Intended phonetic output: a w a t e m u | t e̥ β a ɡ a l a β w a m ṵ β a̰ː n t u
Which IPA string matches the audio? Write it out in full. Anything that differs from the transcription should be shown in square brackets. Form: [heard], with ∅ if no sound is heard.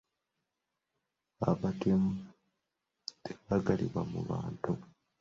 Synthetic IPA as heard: a [β] a t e m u | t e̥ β a ɡ a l [i] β w a m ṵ β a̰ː n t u